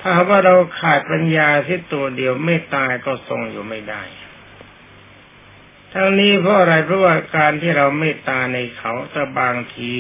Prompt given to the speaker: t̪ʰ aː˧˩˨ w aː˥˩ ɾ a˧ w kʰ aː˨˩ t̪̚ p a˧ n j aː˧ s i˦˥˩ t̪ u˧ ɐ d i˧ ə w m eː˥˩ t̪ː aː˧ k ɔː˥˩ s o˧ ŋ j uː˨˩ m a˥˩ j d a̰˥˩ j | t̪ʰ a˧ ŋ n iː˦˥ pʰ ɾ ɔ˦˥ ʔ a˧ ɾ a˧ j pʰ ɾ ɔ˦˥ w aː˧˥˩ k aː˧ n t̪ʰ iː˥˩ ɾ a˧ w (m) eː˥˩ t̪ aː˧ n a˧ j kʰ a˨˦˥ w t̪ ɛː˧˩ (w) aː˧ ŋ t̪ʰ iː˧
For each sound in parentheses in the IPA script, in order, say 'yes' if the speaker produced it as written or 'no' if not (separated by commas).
yes, no